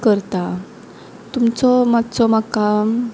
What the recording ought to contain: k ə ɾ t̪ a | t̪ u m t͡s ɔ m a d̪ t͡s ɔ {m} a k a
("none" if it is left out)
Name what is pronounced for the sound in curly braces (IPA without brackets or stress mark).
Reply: m